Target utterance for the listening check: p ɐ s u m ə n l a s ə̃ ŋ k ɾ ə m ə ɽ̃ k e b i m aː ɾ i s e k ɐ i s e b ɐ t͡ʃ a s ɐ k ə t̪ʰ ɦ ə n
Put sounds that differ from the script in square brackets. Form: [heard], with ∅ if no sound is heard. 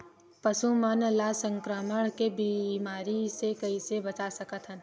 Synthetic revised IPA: p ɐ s u m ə n l a s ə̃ ŋ k ɾ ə m ə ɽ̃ k e b i m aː ɾ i s e k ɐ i s e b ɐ t͡ʃ a s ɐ k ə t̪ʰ ɦ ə n